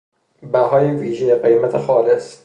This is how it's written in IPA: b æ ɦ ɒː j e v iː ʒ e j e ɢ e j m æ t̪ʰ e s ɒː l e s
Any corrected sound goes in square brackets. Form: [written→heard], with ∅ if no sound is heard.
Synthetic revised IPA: b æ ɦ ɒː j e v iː ʒ e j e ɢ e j m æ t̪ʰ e [s→x] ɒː l e s